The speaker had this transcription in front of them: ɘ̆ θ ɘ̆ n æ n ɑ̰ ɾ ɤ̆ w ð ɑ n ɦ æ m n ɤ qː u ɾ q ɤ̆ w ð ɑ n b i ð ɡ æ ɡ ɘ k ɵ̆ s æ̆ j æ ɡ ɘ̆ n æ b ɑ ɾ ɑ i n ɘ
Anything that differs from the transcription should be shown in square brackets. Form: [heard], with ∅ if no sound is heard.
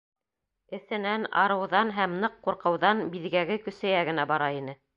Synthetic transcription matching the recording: ɘ̆ θ ɘ̆ n æ n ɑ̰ ɾ ɤ̆ w ð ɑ n ɦ æ m n ɤ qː u ɾ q ɤ̆ w ð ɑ n b i ð ɡ æ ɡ ɘ k ɵ̆ s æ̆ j æ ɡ ɘ̆ n æ b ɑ ɾ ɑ i n ɘ